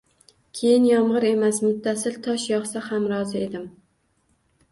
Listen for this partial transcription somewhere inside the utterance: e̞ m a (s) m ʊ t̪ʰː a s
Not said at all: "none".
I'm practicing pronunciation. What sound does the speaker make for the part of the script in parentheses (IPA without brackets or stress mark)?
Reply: s